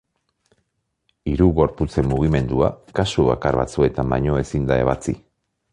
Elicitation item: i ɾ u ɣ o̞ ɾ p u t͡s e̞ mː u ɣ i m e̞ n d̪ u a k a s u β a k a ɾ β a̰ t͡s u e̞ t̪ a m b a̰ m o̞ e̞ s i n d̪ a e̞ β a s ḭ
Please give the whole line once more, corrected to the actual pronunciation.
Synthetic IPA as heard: i ɾ u ɣ o̞ ɾ p u t͡s e̞ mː u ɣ i m e̞ n d̪ u a k a s u β a k a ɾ β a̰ t͡s u e̞ t̪ a m b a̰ ɲ o̞ e̞ s i n d̪ a e̞ β a t͡s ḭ